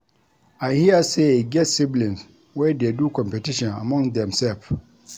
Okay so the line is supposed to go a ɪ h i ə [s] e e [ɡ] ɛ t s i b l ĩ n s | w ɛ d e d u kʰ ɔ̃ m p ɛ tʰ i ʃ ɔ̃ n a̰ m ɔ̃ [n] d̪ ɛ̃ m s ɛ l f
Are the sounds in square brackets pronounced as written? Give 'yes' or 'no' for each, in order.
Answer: yes, yes, no

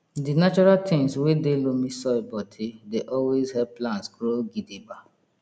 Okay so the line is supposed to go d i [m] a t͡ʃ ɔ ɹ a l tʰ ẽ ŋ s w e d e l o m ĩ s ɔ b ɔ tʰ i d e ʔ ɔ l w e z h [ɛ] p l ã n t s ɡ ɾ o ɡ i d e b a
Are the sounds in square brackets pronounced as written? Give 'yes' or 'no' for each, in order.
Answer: no, yes

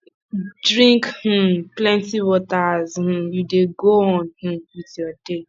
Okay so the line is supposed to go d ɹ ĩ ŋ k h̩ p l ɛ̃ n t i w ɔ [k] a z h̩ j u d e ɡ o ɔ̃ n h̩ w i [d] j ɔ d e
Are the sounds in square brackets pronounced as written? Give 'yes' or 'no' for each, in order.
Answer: no, no

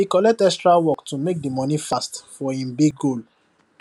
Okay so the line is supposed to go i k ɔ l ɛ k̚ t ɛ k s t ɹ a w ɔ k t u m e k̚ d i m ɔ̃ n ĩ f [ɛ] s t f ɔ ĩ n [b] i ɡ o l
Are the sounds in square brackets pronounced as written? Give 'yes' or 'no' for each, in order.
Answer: no, yes

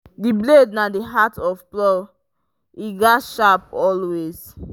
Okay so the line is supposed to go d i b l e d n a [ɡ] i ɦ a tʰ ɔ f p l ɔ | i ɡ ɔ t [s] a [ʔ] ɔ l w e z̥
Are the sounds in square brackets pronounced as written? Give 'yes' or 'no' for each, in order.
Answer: no, no, no

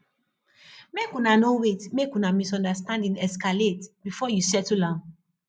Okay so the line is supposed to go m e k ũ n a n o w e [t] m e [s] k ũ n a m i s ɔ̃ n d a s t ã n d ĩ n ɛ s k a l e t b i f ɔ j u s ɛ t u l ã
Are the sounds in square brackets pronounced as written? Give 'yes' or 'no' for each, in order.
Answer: yes, no

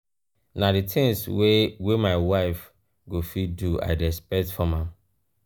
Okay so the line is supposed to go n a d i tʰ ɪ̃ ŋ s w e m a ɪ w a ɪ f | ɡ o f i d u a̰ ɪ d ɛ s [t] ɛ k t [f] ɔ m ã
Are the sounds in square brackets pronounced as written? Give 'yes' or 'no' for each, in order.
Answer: no, yes

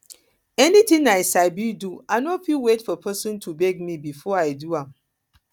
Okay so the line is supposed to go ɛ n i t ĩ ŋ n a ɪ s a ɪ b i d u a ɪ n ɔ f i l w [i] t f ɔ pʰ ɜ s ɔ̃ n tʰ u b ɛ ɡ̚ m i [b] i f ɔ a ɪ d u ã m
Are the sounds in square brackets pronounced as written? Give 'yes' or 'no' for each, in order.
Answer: no, yes

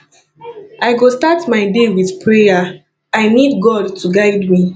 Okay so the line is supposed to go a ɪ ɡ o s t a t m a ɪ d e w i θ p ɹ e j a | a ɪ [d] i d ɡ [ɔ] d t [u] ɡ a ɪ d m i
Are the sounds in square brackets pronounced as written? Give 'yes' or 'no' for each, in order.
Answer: no, yes, yes

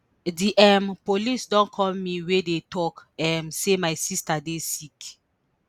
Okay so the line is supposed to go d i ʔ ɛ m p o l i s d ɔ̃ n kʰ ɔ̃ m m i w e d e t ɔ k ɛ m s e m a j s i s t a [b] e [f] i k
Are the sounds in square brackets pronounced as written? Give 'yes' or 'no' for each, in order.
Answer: no, no

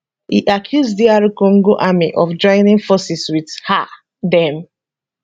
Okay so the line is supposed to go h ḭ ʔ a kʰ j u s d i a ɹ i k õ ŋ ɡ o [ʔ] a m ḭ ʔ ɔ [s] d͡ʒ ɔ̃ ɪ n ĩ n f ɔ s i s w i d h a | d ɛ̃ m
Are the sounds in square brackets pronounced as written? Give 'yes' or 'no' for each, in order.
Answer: yes, no

